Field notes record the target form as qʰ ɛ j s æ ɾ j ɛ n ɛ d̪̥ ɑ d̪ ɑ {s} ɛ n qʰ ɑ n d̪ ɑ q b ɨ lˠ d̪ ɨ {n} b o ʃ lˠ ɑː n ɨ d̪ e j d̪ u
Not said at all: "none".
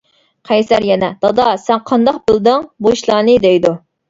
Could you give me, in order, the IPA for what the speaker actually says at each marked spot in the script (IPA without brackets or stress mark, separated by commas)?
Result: s, ŋ